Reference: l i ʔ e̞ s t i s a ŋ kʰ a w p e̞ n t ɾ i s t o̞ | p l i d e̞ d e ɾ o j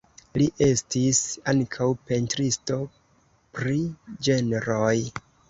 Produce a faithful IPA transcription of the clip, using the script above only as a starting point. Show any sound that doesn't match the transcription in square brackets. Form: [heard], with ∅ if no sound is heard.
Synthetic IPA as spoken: l i ʔ e̞ s t i s a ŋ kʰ a w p e̞ n t ɾ i s t o̞ | p [ɾ] i [d͡ʒ] e̞ [n] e ɾ o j